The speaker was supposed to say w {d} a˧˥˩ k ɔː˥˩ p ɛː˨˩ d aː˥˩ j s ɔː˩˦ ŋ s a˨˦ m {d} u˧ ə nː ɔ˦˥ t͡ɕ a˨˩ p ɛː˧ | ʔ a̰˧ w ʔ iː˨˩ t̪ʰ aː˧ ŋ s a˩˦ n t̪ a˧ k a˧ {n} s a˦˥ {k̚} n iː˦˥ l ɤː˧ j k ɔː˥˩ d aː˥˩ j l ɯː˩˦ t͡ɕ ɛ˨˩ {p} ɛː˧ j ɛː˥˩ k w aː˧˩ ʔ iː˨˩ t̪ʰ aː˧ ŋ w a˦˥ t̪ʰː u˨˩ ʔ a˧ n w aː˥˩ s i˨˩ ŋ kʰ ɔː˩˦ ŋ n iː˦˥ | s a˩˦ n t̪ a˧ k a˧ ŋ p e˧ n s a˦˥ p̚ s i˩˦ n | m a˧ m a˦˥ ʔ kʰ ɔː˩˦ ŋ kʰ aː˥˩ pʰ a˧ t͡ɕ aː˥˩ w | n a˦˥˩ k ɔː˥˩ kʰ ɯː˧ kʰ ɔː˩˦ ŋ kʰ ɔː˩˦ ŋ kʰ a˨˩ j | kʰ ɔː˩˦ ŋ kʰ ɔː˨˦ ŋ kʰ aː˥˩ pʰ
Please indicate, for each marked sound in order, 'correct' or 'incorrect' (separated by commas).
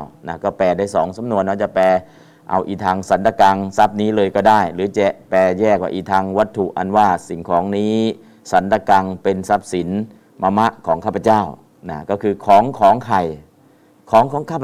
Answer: incorrect, incorrect, incorrect, incorrect, correct